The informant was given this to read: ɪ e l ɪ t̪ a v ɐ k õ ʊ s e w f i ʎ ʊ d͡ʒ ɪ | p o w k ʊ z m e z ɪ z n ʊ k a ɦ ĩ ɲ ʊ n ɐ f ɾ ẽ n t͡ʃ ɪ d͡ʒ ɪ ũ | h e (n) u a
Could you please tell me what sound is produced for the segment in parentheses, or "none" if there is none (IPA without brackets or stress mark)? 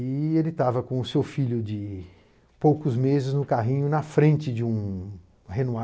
n